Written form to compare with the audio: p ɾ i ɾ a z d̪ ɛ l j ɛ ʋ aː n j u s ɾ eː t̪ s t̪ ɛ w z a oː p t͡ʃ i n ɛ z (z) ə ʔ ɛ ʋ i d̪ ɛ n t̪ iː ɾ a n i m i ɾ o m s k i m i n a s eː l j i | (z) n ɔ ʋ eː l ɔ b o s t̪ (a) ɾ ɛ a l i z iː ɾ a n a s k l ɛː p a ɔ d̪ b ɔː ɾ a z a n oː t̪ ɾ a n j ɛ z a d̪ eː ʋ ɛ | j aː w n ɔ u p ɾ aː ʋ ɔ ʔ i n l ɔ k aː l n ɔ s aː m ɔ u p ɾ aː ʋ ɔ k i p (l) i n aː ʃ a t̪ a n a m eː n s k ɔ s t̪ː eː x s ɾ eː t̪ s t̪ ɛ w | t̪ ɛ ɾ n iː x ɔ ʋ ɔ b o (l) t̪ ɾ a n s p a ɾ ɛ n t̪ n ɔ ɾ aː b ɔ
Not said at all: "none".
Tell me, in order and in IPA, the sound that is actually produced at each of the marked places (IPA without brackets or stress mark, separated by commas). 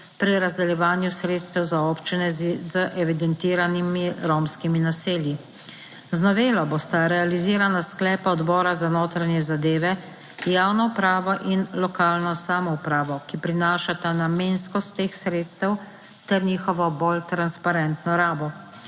z, z, a, ɾ, l